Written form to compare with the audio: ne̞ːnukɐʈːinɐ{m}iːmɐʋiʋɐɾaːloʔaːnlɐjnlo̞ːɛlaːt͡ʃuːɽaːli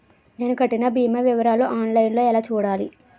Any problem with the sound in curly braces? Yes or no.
yes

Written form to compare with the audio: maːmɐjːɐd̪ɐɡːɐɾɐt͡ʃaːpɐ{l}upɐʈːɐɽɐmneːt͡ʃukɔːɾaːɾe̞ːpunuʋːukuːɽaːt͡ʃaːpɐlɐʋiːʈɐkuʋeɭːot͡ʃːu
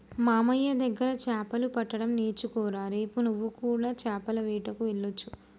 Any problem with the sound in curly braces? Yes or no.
no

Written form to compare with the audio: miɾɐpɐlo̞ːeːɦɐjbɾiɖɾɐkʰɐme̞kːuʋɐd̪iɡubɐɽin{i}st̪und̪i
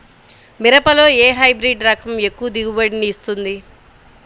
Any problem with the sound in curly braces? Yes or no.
yes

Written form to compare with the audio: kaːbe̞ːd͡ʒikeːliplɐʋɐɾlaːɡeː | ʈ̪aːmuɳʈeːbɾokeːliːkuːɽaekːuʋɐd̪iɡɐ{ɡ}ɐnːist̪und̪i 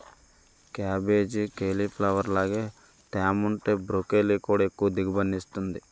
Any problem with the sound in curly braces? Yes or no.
yes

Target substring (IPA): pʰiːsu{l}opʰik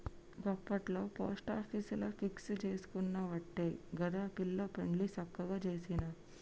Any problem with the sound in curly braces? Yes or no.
no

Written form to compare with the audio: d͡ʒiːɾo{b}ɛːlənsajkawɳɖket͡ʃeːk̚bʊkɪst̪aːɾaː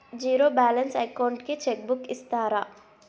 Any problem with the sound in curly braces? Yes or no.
no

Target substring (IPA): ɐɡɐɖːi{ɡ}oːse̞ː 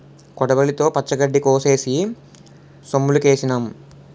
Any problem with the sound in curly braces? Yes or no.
yes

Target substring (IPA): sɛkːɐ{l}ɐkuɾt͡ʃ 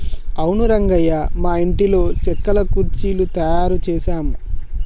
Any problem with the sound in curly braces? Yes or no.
no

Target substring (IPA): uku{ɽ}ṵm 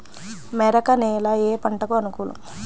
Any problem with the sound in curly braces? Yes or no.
yes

